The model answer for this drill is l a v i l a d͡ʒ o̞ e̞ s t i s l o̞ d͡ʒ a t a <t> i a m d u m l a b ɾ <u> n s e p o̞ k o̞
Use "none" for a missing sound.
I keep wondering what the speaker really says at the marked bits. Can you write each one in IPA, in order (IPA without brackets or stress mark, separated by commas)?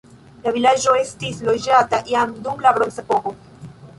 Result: ʔ, o